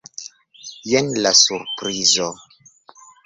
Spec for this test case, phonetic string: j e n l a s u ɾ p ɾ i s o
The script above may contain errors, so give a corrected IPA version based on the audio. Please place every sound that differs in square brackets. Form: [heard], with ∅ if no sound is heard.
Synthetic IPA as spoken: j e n l a s u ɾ p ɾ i [z] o